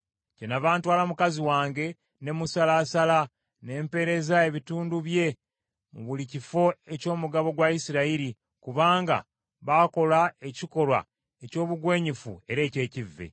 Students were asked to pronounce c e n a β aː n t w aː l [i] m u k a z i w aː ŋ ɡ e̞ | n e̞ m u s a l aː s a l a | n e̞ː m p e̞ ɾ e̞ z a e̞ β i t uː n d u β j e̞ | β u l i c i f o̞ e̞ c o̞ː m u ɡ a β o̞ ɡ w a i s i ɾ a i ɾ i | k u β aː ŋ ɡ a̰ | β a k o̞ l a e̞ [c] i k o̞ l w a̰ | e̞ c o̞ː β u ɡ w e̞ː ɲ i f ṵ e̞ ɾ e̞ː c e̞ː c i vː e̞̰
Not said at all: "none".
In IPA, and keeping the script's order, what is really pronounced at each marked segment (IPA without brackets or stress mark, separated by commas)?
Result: a, c